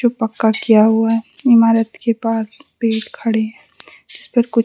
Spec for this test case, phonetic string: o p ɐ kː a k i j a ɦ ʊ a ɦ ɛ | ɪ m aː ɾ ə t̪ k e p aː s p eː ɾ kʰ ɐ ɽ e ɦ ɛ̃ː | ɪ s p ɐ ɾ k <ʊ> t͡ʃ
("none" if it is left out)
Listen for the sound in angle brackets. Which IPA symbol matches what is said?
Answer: ʊ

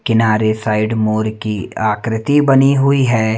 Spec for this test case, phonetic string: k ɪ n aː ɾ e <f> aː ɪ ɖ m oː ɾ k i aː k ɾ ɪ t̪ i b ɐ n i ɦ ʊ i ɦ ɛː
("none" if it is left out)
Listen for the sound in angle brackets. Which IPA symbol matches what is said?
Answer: s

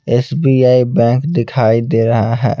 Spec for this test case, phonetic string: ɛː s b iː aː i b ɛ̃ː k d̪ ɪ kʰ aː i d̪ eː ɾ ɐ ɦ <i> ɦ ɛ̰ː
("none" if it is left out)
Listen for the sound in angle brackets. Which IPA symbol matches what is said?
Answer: a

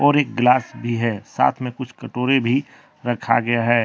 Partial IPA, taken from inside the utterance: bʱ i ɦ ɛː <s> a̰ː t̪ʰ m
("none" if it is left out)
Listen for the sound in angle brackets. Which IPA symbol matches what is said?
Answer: s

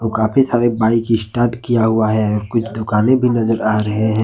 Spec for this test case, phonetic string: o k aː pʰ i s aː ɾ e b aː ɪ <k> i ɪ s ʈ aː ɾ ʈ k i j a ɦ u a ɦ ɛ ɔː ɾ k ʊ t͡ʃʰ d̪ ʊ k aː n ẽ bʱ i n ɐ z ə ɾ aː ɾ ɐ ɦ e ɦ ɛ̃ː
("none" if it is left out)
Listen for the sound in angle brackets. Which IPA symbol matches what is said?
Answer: k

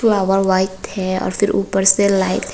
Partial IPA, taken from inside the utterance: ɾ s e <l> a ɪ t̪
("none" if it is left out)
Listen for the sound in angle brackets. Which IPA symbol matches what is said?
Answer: l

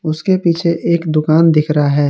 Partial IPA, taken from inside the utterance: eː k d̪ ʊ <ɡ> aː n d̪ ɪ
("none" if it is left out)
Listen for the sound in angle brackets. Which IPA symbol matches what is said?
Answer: k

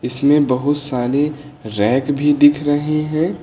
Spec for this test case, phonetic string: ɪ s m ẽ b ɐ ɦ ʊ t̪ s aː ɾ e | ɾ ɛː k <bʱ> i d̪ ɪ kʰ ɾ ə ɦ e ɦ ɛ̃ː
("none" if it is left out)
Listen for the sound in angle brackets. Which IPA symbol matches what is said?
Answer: bʱ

